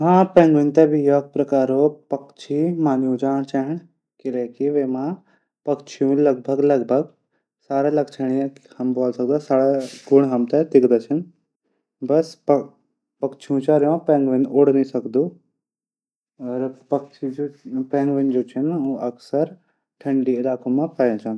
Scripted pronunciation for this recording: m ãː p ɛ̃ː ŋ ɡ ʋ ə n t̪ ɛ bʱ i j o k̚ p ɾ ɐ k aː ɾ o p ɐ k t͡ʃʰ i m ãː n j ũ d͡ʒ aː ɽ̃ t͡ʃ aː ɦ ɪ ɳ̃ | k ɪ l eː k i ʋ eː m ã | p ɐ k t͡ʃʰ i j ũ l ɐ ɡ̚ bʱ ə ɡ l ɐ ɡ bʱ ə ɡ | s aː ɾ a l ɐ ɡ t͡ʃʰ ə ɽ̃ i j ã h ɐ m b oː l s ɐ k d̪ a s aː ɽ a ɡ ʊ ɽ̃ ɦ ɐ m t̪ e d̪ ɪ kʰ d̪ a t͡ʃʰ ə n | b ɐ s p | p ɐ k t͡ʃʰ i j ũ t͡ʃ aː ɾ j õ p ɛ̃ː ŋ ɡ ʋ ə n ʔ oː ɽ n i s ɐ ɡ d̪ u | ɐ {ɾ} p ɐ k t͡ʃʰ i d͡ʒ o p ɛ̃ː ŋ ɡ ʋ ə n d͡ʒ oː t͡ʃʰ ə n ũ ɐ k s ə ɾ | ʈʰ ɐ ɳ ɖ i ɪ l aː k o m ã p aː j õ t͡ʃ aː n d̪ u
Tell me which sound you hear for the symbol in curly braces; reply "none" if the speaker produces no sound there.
ɾ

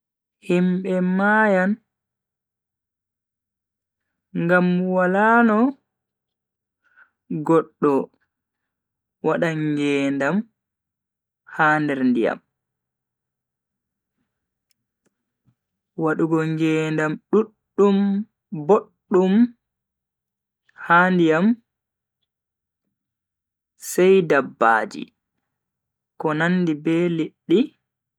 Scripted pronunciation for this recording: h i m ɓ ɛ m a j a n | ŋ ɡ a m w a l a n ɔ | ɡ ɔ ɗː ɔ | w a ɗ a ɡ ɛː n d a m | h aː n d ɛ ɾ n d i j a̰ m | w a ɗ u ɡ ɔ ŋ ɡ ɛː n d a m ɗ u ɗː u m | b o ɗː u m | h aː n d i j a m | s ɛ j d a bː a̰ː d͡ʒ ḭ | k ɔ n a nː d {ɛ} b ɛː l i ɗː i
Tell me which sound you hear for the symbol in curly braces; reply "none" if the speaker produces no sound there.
i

